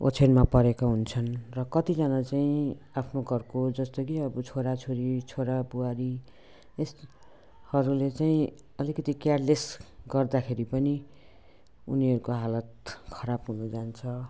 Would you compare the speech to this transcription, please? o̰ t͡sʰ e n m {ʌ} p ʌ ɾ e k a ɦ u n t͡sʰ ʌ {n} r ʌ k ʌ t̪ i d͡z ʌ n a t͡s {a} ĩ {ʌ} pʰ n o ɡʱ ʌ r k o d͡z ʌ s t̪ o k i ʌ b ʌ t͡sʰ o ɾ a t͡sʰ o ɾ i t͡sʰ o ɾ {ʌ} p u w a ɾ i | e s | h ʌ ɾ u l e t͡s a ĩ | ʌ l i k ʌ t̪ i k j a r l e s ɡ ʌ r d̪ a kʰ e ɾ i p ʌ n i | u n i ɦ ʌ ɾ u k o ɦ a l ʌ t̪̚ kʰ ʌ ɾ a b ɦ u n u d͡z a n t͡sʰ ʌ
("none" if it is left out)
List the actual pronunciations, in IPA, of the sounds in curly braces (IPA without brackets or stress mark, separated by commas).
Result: a, n, a, a, a